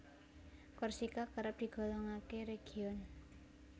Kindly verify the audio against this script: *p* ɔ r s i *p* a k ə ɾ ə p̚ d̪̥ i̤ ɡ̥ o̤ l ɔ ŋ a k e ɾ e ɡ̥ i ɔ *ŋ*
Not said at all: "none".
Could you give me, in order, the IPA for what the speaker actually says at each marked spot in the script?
k, k, n

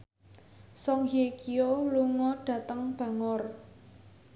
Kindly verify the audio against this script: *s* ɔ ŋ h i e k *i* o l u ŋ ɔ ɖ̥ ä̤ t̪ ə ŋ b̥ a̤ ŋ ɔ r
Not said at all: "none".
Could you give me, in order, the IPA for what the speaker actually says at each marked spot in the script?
s, i

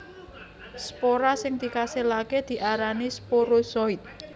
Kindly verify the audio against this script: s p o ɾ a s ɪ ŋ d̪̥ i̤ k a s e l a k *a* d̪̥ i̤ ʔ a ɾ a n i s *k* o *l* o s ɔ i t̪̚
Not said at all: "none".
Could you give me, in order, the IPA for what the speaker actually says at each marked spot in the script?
e, p, ɾ

